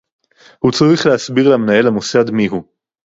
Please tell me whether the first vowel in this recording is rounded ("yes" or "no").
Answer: yes